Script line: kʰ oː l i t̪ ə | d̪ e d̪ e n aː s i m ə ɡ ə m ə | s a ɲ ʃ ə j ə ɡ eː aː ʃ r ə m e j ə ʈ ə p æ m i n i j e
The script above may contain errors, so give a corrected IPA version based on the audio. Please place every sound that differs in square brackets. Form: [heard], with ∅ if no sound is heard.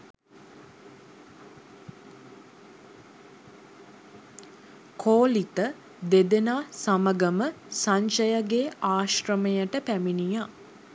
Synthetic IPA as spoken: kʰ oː l i t̪ ə | d̪ e d̪ e n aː s [a] m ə ɡ ə m ə | s a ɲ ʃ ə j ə ɡ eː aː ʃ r ə m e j ə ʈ ə p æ m i n i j [a]